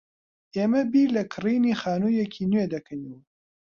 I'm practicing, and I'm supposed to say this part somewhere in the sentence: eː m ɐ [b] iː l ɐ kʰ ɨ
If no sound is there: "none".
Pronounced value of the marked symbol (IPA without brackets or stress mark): b